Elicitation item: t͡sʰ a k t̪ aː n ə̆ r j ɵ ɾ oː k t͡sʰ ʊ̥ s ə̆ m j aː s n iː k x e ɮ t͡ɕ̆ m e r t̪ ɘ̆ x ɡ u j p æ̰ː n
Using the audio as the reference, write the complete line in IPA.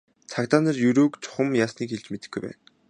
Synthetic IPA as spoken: t͡sʰ a k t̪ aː n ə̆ r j ɵ ɾ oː k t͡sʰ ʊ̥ χ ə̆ m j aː s n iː k x e ɮ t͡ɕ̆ m e t̪ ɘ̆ x ɡ u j p æ̰ː n